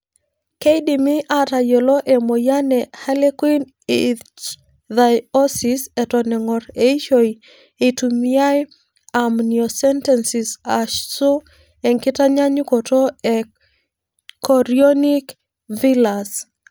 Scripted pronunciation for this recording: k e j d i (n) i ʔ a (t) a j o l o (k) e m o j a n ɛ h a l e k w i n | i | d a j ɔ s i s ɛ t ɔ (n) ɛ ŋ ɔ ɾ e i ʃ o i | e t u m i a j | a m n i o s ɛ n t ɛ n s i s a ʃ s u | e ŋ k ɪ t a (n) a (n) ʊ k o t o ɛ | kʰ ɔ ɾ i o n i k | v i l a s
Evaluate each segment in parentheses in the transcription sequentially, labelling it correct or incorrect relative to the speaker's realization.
incorrect: m, correct, incorrect: ʔ, correct, incorrect: ɲ, incorrect: ɲ

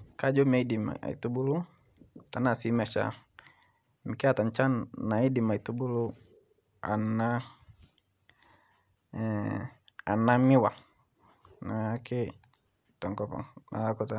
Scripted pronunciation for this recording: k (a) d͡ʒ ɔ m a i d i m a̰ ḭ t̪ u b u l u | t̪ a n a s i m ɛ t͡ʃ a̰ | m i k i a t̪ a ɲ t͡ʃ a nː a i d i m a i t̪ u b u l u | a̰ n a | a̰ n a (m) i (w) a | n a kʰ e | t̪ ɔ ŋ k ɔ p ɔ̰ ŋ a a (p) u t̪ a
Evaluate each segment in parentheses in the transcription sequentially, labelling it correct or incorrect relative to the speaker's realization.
correct, correct, correct, incorrect: k

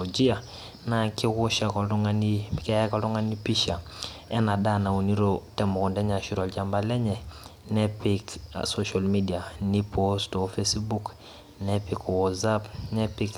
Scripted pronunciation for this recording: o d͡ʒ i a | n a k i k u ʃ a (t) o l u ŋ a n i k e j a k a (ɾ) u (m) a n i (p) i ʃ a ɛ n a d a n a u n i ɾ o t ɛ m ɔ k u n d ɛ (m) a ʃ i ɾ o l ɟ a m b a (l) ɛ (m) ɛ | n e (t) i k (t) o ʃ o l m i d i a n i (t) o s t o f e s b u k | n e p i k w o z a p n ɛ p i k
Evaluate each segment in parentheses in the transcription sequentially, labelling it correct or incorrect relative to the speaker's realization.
incorrect: k, incorrect: l, incorrect: ŋ, correct, incorrect: ɲ, correct, incorrect: ɲ, incorrect: p, incorrect: s, incorrect: p

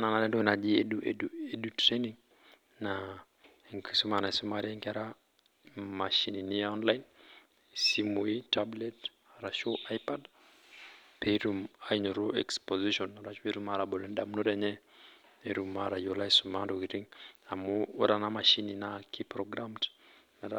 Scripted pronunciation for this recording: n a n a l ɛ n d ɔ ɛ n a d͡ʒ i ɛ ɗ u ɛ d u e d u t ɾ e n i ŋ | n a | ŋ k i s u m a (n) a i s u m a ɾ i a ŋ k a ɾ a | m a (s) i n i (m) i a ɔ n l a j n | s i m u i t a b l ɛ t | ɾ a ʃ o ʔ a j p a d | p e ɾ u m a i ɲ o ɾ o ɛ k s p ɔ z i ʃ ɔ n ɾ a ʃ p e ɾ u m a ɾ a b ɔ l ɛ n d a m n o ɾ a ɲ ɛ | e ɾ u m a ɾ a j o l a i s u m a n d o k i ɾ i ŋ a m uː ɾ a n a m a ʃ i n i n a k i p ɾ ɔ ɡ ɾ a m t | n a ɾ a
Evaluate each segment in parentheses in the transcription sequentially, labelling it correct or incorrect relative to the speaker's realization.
correct, incorrect: ʃ, incorrect: n

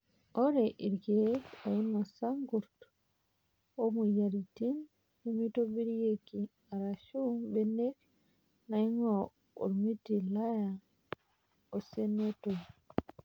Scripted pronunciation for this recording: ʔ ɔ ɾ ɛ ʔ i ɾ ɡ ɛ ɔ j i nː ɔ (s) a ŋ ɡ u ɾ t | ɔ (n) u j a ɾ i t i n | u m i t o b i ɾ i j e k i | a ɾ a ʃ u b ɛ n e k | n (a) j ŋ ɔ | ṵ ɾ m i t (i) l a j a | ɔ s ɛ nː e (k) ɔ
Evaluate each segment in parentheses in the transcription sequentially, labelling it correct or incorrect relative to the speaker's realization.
correct, incorrect: m, correct, correct, incorrect: t

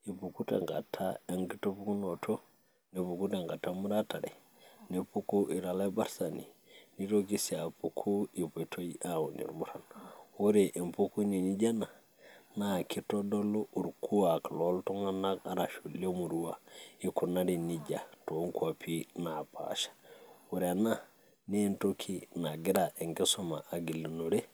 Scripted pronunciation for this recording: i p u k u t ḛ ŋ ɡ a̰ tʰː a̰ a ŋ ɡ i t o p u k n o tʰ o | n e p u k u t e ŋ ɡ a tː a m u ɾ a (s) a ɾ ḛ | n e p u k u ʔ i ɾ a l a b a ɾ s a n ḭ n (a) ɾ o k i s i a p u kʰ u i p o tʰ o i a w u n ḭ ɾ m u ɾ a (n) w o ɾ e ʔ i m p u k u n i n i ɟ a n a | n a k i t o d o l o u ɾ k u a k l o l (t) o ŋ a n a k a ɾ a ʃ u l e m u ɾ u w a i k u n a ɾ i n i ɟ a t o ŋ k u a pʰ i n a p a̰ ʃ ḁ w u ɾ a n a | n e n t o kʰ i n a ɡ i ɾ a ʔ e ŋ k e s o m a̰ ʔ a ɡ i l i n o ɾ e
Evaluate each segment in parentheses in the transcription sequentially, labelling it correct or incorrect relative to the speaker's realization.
incorrect: t, incorrect: i, correct, correct

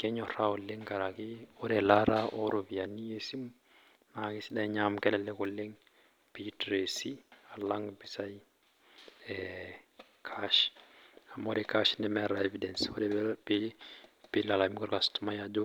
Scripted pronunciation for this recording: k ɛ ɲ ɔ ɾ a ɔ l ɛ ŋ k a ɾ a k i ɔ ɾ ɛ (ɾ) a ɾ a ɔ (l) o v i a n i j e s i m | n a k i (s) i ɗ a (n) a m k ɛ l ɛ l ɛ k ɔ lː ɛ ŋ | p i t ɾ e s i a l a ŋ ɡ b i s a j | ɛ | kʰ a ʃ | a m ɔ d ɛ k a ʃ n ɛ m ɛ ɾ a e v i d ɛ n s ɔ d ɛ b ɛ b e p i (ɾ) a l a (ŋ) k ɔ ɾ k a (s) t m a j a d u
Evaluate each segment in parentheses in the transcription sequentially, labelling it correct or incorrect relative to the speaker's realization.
incorrect: l, incorrect: ɾ, correct, incorrect: ɲ, incorrect: l, incorrect: m, correct

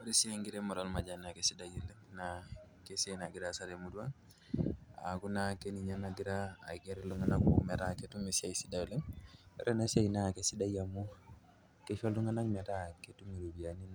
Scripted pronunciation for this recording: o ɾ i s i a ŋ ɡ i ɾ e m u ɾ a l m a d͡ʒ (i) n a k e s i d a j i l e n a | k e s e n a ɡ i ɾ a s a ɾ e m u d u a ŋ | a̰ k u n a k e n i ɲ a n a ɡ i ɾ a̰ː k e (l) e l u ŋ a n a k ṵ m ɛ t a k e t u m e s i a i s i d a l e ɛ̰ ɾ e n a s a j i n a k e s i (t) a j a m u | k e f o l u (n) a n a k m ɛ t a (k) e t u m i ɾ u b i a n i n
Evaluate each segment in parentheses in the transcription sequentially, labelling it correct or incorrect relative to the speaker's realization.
incorrect: a, incorrect: ɾ, incorrect: d, incorrect: ŋ, correct

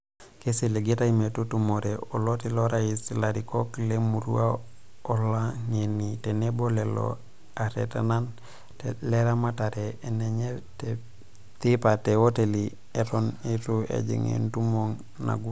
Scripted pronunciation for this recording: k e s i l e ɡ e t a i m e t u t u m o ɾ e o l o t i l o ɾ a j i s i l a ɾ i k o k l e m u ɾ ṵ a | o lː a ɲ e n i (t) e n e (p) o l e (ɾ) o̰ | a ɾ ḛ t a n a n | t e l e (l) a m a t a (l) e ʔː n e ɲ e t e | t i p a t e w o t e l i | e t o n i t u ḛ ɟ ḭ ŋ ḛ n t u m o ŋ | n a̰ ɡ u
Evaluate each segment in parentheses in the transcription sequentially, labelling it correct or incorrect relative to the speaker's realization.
correct, incorrect: b, incorrect: l, incorrect: ɾ, incorrect: ɾ

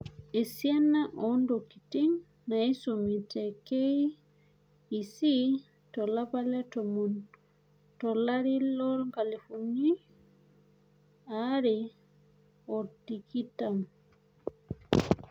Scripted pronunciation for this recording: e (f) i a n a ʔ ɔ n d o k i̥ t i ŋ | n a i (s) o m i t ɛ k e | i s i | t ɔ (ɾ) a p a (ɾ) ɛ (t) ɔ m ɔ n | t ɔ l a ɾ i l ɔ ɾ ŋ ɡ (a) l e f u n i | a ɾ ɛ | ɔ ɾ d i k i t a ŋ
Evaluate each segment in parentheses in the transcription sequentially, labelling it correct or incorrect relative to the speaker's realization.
incorrect: s, correct, incorrect: l, incorrect: l, correct, correct

